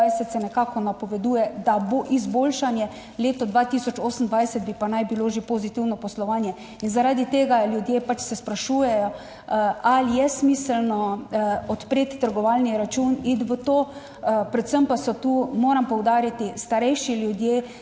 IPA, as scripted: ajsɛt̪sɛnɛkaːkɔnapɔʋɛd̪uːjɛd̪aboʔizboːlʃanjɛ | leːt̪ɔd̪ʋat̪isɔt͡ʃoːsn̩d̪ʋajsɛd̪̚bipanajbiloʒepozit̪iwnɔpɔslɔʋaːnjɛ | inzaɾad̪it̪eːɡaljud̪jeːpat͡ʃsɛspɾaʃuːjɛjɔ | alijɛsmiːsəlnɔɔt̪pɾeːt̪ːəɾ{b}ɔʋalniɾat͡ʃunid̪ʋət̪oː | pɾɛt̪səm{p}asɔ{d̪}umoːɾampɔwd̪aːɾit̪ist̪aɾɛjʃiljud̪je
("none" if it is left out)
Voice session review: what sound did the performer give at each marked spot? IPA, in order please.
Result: ɡ, p, t̪

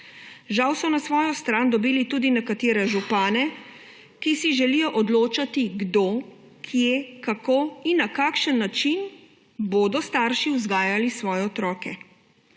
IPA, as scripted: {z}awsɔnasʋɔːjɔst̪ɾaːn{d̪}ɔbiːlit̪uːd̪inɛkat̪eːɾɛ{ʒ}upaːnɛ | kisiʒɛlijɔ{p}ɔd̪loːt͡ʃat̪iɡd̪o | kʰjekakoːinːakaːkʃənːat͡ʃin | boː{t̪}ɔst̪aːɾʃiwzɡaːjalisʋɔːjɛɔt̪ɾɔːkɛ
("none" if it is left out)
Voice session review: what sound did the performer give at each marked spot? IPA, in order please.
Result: ʒ, d̪, ʒ, ʔ, d̪

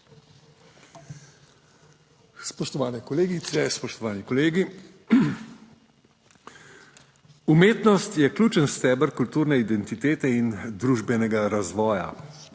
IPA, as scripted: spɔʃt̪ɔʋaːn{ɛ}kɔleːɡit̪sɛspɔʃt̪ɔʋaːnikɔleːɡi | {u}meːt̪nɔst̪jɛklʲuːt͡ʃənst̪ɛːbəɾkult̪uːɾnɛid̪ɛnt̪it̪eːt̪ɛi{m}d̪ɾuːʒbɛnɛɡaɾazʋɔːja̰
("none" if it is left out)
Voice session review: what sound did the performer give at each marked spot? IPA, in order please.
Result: ɛ, u, n

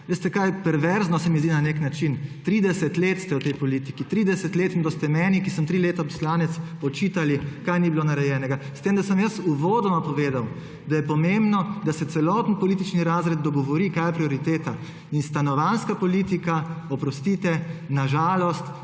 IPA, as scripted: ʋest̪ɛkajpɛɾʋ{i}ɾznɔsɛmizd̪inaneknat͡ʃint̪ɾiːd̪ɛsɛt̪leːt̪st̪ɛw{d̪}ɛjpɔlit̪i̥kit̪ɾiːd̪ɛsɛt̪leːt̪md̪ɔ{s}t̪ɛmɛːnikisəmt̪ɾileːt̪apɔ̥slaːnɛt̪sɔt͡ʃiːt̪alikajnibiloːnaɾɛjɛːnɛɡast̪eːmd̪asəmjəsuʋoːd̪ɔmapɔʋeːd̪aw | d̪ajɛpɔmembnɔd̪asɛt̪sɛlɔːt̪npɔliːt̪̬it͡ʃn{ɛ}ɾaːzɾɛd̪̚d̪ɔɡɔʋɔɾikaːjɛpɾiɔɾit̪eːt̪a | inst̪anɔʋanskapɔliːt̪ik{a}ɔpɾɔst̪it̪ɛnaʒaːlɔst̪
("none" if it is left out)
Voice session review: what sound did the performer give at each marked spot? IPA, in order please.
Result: ɛ, t̪, s, i, a

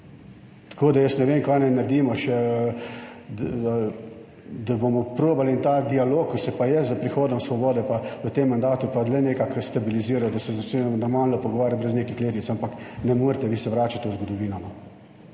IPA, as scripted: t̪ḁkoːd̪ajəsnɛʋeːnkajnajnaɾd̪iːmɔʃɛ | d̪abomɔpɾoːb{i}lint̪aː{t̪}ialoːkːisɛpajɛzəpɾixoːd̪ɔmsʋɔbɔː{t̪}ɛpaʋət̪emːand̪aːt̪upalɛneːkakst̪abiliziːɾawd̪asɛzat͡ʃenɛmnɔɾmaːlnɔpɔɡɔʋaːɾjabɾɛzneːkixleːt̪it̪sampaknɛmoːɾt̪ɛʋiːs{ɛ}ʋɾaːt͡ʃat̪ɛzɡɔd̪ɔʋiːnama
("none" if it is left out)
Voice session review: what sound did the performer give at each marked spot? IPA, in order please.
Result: a, d̪, d̪, ɛ

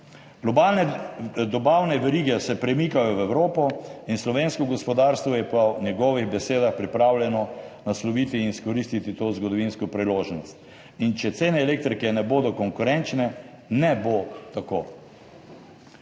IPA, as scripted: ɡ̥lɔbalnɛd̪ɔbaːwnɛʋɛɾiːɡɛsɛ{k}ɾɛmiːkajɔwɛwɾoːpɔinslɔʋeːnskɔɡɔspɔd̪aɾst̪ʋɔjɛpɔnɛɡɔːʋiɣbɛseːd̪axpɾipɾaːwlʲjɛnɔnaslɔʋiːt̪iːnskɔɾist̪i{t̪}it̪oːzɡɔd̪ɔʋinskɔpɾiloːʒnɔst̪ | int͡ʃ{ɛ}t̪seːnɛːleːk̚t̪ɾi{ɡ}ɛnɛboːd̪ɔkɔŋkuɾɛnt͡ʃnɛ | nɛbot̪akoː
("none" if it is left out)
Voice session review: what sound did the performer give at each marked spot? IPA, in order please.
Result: p, t̪, ɛ, k

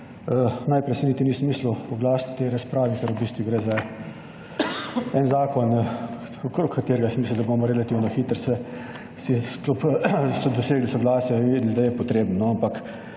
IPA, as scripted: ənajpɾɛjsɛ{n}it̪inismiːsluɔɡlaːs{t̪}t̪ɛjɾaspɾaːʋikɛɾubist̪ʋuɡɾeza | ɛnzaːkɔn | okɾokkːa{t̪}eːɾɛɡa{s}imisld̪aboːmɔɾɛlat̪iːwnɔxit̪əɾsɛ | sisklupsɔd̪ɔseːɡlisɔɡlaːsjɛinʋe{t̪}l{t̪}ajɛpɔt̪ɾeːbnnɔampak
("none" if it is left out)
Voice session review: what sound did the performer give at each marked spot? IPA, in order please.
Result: n, t̪, t̪, s, d̪, d̪

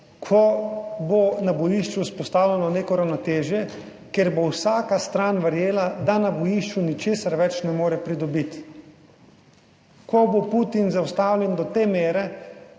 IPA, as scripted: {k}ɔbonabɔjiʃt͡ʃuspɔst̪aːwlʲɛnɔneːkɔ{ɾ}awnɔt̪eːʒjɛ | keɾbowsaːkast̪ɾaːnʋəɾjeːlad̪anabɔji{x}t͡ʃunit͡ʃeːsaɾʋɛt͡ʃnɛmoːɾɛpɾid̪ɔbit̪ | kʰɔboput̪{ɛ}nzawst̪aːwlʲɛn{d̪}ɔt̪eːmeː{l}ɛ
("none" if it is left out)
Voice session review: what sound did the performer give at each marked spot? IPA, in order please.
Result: kʰ, ɾ, ʃ, i, d̪, ɾ

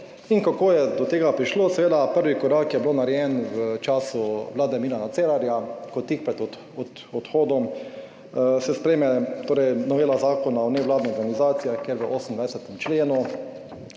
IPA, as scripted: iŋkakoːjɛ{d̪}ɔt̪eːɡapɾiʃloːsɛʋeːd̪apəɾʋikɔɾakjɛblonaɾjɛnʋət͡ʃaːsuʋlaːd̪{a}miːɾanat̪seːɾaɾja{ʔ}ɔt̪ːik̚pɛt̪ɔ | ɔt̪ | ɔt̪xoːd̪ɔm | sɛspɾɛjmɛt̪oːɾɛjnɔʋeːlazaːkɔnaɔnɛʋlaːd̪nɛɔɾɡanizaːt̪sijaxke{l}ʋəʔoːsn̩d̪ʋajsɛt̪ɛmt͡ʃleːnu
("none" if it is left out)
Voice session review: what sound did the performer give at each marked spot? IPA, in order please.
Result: d̪, ɛ, k, ɾ

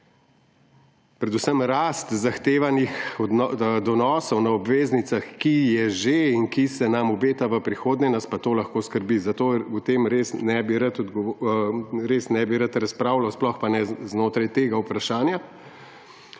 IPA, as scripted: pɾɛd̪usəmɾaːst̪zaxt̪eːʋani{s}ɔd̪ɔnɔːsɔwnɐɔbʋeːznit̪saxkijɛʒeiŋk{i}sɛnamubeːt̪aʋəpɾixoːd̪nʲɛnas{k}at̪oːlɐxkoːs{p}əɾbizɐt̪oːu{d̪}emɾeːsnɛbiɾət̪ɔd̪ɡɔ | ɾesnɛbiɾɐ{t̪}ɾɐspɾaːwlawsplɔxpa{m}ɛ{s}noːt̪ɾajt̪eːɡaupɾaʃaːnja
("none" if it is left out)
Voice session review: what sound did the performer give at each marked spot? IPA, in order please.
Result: x, i, p, k, t̪, t̪, n, z

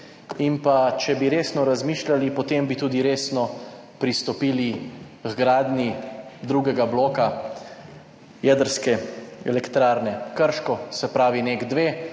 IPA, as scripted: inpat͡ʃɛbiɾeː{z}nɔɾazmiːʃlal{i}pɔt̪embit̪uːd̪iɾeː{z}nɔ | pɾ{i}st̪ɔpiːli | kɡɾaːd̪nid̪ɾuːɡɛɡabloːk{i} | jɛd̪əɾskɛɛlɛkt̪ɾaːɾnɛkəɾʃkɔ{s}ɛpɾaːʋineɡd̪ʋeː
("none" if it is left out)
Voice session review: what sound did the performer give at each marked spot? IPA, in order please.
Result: s, i, s, i, a, s

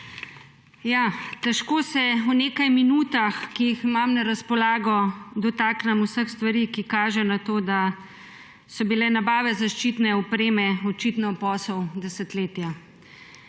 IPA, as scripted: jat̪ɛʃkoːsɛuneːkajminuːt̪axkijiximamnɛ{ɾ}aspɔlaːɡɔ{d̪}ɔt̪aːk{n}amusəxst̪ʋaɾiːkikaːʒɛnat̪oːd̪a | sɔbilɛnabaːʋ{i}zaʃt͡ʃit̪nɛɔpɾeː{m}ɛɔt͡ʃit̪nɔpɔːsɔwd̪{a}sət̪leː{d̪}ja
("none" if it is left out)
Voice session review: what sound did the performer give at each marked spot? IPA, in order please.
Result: ɾ, d̪, n, ɛ, m, ɛ, t̪

